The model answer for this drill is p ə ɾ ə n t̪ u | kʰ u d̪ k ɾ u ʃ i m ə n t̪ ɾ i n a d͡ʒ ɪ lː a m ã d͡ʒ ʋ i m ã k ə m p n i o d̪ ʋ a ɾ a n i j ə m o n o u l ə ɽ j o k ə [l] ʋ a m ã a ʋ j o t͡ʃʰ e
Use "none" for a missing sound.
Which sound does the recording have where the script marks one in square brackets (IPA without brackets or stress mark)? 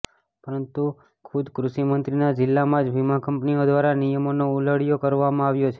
ɾ